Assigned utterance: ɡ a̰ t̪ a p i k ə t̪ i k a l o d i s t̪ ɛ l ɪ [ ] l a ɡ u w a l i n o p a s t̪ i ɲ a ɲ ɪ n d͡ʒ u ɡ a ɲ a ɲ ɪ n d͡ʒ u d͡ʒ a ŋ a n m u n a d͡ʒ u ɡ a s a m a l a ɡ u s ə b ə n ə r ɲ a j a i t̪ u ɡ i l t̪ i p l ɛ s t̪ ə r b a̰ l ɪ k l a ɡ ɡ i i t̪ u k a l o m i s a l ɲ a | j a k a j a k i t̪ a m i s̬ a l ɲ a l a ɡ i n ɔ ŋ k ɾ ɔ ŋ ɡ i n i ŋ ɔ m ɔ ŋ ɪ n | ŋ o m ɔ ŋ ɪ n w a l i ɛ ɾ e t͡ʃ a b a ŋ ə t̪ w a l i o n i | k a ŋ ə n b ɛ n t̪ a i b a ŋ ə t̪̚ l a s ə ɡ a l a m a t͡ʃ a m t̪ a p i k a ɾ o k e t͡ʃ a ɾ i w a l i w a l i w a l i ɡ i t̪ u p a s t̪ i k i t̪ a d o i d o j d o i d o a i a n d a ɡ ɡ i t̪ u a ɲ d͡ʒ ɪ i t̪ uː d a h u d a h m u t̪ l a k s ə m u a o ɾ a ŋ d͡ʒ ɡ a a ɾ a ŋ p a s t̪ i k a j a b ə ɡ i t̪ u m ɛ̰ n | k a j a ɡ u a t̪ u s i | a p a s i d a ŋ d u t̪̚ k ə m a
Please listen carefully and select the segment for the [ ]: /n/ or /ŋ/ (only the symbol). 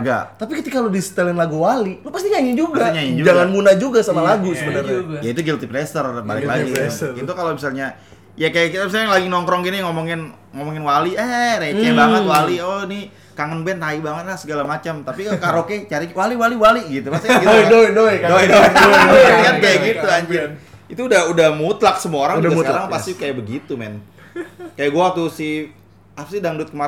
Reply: n